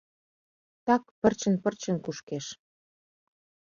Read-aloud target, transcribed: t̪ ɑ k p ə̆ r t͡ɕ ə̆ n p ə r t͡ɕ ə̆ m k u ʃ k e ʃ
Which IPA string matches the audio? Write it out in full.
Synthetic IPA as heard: t̪ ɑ k p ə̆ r t͡ɕ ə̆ n p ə r t͡ɕ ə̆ n k u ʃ k e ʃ